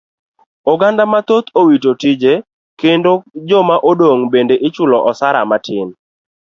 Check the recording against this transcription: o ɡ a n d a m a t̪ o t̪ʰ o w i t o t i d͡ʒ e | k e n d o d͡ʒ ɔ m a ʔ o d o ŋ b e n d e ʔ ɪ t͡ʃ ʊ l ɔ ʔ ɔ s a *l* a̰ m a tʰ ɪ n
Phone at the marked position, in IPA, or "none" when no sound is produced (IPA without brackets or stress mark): ɾ